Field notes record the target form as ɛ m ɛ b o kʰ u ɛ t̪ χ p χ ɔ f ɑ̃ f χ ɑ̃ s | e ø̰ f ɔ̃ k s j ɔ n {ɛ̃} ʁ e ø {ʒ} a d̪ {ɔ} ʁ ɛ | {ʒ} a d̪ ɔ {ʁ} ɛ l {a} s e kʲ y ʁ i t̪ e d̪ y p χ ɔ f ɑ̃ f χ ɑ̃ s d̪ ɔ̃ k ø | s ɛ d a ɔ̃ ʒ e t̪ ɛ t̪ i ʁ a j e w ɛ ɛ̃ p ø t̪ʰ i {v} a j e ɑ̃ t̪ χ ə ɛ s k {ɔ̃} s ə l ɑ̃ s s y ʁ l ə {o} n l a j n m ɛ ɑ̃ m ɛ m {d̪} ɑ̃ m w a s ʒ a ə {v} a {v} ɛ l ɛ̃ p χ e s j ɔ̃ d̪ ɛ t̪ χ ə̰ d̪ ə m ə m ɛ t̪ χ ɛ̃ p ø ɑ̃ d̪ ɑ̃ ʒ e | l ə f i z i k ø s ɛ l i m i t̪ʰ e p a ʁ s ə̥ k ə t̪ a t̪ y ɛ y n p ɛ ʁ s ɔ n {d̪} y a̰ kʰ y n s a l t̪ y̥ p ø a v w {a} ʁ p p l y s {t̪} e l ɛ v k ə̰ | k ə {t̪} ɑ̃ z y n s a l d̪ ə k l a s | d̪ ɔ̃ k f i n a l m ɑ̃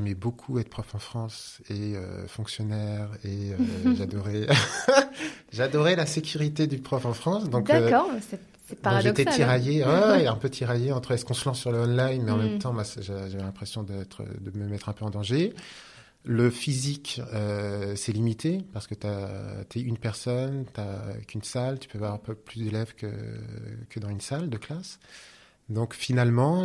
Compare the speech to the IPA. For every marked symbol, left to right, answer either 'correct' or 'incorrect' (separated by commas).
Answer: incorrect, correct, correct, correct, correct, correct, incorrect, correct, incorrect, incorrect, incorrect, correct, incorrect, correct, incorrect, incorrect